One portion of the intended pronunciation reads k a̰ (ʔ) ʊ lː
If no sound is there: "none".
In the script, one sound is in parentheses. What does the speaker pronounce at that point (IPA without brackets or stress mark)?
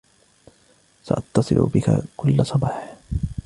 k